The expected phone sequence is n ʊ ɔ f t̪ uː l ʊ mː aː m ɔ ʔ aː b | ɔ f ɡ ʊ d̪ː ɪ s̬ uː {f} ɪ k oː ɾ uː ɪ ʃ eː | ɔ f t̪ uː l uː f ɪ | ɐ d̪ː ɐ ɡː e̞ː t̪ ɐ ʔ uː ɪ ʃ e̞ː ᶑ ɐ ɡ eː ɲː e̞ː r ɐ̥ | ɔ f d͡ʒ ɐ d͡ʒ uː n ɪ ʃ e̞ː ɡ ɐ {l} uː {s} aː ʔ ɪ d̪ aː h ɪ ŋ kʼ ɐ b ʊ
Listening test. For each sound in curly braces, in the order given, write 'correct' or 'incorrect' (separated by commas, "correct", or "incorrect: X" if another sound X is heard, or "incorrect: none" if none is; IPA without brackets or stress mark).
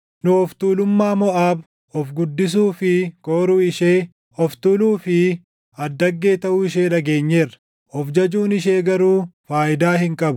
correct, incorrect: ɾ, incorrect: f